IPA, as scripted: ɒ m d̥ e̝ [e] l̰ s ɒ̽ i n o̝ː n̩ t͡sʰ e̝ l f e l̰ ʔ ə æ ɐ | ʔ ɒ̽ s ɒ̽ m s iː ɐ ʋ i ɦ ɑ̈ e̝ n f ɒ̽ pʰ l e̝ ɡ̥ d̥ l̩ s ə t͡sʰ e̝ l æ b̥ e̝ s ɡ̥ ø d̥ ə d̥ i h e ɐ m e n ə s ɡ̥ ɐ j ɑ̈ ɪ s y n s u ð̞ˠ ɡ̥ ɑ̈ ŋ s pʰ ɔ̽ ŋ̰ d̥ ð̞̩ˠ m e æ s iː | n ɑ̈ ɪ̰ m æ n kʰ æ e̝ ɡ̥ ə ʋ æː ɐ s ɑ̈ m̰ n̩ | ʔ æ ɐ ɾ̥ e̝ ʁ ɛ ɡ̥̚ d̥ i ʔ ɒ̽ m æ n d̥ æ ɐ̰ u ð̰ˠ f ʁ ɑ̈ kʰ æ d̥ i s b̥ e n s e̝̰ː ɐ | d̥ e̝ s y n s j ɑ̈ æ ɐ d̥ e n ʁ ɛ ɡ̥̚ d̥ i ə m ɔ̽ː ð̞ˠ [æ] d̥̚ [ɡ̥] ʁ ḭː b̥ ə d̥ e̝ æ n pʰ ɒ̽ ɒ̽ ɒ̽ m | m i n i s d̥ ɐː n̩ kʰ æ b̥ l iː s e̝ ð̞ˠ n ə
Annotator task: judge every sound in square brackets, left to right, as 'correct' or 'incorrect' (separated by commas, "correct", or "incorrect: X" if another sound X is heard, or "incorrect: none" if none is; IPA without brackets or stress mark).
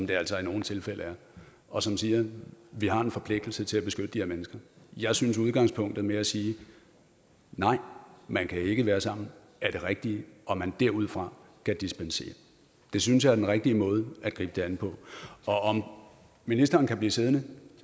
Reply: incorrect: æ, correct, correct